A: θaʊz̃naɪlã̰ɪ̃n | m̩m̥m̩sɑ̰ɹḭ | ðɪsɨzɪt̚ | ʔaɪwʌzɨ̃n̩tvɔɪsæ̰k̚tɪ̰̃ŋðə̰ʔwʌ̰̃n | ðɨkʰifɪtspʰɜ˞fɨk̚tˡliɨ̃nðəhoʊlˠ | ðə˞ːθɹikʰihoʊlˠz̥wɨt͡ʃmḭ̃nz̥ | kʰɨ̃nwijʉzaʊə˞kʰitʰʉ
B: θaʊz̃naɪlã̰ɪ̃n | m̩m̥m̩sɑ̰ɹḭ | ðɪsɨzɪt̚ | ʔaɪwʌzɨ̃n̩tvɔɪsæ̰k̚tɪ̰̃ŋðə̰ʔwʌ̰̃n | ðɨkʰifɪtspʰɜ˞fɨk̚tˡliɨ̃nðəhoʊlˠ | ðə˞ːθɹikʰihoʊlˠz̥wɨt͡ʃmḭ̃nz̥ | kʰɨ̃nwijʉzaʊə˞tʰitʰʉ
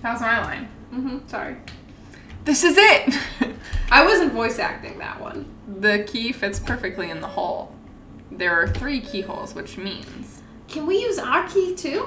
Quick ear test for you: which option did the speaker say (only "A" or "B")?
A